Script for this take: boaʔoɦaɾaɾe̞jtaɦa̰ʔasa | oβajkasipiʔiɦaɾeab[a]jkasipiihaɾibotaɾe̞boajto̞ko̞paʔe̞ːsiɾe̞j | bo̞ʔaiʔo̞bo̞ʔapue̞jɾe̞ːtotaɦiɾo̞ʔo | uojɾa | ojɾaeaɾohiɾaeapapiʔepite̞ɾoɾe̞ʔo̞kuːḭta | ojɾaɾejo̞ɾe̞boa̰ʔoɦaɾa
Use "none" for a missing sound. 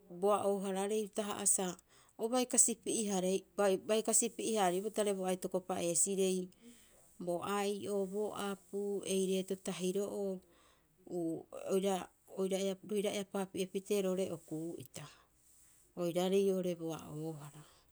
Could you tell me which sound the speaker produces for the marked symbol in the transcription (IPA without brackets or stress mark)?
a